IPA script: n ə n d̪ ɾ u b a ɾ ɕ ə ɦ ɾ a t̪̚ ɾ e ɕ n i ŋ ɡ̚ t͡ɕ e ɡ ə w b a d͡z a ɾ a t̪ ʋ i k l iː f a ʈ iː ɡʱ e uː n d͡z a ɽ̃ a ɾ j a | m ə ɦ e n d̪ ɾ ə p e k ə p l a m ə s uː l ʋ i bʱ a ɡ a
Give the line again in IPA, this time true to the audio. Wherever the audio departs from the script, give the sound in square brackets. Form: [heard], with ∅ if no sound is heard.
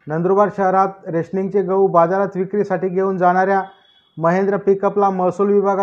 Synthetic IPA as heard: n ə n d̪ ɾ u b a ɾ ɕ ə ɦ ɾ a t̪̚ ɾ e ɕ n i ŋ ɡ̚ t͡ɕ e ɡ ə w b a d͡z a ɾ a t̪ ʋ i k [ɾ] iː [s] a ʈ iː ɡʱ e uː n d͡z a ɽ̃ a ɾ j a | m ə ɦ e n d̪ ɾ ə p [i] k ə p l a m ə s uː l ʋ i bʱ a ɡ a